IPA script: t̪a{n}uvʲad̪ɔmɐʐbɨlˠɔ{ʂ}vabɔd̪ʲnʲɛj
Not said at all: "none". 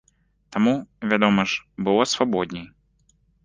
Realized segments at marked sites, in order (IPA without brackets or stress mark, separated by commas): m, s